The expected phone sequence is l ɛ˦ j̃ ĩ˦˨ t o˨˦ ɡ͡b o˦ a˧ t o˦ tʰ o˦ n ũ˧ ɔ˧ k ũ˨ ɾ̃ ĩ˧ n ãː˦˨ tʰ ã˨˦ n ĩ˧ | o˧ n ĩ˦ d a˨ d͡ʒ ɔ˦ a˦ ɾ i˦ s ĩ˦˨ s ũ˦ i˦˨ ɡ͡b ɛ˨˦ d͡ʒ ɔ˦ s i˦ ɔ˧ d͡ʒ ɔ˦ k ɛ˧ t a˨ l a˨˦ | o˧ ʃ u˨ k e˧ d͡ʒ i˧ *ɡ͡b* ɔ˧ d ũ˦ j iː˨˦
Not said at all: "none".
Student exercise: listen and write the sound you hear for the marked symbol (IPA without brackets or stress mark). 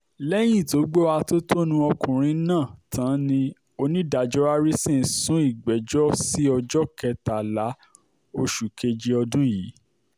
none